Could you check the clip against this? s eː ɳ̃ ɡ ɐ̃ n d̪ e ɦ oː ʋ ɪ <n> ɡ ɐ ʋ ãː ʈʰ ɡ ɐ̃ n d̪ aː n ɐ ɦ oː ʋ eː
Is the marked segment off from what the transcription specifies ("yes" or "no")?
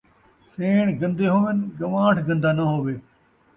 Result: no